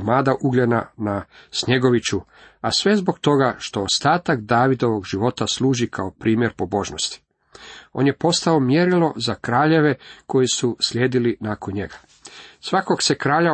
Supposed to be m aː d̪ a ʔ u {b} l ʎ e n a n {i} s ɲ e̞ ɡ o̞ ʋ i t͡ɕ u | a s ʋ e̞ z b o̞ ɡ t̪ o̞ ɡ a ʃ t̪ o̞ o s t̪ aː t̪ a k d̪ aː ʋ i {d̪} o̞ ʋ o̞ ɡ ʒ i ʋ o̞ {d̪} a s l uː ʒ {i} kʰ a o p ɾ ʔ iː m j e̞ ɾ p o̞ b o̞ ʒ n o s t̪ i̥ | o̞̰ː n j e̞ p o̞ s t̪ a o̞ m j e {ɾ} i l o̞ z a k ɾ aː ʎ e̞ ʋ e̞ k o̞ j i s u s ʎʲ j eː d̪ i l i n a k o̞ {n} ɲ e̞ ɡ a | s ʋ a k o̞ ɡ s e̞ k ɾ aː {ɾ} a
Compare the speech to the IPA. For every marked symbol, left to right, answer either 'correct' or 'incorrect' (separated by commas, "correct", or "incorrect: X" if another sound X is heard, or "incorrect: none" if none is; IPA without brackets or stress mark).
incorrect: ɡ, incorrect: a, correct, incorrect: t̪, correct, correct, correct, incorrect: ʎ